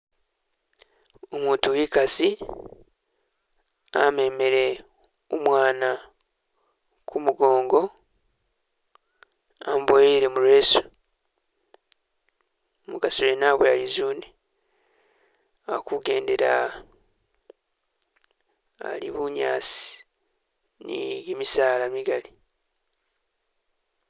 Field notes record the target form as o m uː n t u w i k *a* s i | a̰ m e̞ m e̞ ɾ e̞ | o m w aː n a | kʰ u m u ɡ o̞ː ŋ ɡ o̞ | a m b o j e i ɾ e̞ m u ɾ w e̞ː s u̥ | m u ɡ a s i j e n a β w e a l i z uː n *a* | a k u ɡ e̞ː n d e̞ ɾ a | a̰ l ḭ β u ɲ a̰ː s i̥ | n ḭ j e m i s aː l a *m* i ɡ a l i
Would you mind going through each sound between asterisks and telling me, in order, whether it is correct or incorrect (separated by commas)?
correct, incorrect, correct